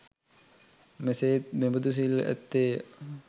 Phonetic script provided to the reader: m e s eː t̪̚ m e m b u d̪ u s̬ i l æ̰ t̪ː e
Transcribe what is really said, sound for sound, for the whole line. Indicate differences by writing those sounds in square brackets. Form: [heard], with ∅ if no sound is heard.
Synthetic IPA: m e s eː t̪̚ m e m b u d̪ u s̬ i l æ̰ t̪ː e